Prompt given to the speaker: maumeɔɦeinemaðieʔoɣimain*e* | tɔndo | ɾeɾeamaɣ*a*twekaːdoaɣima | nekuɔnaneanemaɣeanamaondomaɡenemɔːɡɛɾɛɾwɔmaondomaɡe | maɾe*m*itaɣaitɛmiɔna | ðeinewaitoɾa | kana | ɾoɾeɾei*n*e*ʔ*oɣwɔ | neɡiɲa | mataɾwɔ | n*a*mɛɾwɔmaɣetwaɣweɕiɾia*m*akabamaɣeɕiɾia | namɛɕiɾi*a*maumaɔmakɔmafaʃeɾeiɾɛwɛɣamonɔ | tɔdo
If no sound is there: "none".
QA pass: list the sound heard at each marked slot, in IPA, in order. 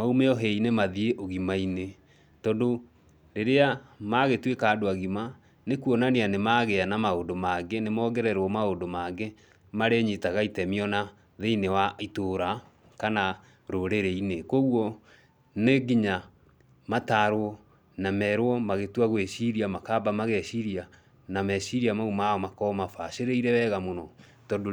e, e, ɲ, n, k, a, m, a

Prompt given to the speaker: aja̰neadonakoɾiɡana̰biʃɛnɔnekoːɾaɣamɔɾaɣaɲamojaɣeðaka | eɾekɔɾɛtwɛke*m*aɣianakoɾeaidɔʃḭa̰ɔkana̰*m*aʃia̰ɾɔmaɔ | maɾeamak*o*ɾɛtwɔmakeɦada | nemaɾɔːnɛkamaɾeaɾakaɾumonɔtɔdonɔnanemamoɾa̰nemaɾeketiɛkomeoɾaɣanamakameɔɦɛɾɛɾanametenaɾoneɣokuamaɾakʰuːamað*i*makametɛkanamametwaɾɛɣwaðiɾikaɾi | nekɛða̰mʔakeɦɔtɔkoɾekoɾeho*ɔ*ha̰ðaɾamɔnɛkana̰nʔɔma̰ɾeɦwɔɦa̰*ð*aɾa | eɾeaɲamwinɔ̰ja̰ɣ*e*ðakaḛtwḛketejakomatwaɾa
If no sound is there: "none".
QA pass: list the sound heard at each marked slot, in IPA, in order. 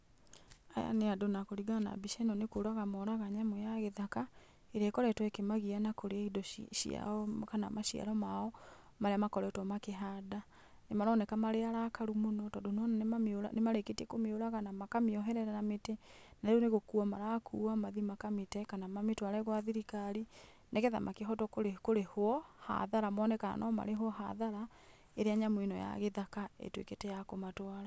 m, m, ɔ, i, ɔ, ð, e

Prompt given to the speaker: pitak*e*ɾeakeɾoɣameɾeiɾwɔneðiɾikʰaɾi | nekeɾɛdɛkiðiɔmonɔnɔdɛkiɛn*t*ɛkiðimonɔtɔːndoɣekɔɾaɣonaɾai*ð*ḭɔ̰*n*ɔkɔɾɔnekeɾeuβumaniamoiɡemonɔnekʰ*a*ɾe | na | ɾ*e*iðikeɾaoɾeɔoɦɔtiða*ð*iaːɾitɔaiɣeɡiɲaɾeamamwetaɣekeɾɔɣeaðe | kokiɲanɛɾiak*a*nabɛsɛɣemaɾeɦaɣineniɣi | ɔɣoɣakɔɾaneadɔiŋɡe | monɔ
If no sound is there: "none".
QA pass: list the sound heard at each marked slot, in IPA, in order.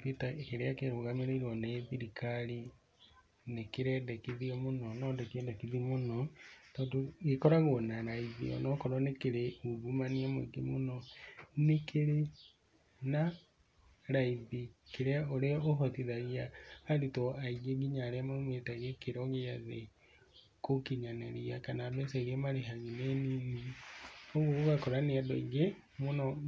e, d, ð, n, e, a, ɣ, a

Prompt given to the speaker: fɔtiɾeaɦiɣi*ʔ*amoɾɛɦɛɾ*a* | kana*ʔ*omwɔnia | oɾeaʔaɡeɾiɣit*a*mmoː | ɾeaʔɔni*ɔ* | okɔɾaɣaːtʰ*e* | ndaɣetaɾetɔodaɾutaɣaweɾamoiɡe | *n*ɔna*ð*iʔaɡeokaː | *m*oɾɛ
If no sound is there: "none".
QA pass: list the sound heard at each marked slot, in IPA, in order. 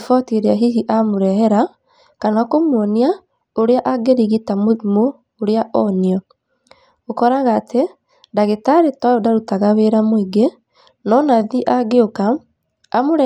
ʔ, a, k, a, ɔ, e, n, ð, m

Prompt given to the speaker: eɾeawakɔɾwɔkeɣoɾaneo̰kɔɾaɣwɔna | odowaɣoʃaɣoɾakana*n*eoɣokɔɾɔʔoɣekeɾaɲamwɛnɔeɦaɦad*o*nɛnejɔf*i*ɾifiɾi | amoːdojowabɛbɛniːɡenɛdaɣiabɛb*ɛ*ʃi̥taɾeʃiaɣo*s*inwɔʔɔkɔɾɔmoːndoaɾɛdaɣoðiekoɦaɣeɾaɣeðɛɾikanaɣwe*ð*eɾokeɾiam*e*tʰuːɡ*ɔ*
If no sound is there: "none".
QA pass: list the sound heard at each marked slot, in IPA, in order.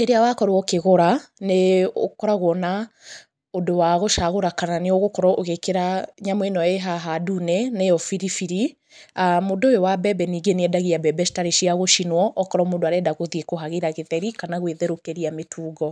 n, u, i, ɛ, ʃ, ð, e, ɔ

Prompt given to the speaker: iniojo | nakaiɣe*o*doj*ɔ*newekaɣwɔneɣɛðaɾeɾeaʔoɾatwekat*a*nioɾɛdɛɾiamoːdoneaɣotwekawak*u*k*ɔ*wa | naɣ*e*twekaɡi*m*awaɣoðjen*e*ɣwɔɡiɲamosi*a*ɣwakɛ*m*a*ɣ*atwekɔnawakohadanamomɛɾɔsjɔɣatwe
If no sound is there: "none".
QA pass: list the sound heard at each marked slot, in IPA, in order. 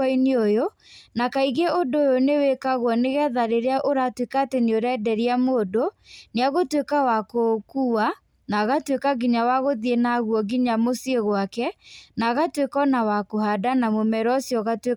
o, o, e, o, u, a, ɲ, a, e, n, ɣ

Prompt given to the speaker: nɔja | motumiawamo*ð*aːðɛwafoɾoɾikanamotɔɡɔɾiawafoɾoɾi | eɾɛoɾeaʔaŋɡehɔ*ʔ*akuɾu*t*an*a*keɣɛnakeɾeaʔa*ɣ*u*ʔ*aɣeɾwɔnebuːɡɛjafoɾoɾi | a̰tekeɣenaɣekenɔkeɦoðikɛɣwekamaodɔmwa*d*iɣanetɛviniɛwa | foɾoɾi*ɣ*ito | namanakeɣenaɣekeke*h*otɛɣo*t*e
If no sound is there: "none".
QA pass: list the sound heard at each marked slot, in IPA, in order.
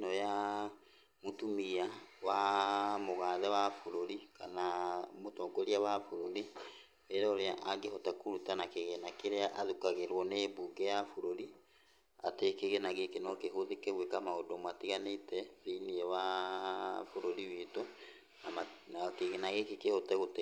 ɣ, t, t, a, ð, k, t, w, h, t

